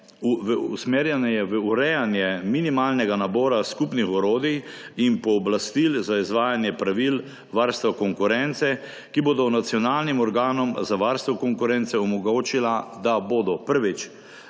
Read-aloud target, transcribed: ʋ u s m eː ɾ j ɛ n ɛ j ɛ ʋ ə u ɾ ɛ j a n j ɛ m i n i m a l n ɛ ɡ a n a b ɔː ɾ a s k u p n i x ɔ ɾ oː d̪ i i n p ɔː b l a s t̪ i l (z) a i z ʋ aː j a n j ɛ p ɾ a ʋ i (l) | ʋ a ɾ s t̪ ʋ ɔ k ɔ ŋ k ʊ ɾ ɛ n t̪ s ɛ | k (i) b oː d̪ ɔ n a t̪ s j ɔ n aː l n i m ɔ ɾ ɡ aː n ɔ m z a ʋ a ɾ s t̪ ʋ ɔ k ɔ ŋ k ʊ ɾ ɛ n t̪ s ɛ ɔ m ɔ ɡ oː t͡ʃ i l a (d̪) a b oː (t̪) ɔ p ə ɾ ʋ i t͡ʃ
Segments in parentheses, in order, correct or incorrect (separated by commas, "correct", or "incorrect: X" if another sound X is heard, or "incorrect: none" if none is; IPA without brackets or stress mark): correct, correct, correct, correct, incorrect: d̪